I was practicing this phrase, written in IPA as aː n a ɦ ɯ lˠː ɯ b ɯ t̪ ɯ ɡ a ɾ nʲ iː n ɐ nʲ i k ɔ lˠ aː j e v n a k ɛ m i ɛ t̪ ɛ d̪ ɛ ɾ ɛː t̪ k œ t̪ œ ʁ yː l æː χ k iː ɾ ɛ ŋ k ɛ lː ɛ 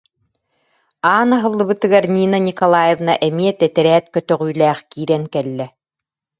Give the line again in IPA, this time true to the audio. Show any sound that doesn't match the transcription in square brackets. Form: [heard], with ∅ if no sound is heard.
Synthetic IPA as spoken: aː n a ɦ ɯ lˠː ɯ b ɯ t̪ ɯ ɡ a ɾ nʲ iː n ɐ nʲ i k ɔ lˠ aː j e v n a [ʔ] ɛ m i ɛ t̪ ɛ [t̪] ɛ ɾ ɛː t̪ k œ t̪ œ ʁ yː l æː χ k iː ɾ ɛ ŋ k ɛ lː ɛ